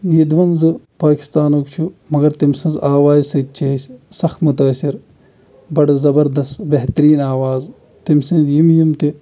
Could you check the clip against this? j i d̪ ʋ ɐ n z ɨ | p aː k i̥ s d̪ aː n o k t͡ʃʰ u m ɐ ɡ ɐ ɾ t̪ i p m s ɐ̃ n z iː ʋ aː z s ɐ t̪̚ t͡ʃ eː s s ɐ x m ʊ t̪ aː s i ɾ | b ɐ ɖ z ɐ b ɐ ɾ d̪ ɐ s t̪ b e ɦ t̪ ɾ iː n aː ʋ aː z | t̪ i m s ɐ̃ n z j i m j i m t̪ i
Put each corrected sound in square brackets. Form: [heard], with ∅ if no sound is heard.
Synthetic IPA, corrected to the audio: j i d̪ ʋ ɐ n z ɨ | p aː k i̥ s [t̪] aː n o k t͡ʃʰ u m ɐ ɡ ɐ ɾ t̪ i [∅] m s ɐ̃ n z [aː] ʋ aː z s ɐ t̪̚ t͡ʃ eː s s ɐ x m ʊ t̪ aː s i ɾ | b ɐ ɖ z ɐ b ɐ ɾ d̪ ɐ s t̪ b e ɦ t̪ ɾ iː n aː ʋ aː z | t̪ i m s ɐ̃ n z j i m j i m t̪ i